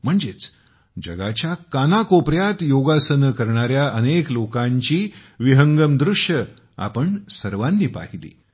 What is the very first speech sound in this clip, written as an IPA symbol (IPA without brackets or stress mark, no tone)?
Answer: m̤